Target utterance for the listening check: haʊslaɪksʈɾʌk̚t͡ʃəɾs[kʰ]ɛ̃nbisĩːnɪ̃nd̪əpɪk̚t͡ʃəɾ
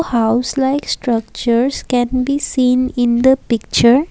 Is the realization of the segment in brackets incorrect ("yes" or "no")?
yes